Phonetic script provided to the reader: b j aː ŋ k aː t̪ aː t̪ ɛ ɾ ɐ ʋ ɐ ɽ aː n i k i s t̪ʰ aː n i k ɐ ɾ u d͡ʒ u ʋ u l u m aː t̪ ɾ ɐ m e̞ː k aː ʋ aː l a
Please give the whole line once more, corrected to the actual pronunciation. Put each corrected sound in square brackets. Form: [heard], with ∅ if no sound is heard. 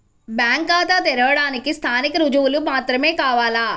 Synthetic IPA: b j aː ŋ k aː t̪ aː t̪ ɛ ɾ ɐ ʋ ɐ ɽ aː n i k i s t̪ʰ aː n i k ɐ ɾ u d͡ʒ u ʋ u l u m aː t̪ ɾ ɐ m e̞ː k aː ʋ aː l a